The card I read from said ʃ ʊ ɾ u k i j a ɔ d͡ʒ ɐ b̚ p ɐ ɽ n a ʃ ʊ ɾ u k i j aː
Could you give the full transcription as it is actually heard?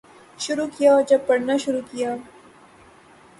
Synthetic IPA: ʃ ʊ ɾ u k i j a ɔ d͡ʒ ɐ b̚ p ɐ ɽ n a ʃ ʊ ɾ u k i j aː